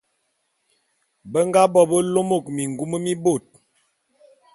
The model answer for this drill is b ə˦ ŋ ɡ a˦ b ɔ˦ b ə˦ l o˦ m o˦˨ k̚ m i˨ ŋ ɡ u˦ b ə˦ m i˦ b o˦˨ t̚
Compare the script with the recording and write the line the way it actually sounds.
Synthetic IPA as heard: b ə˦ ŋ ɡ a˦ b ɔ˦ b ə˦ l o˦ m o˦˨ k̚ m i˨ ŋ ɡ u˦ m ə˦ m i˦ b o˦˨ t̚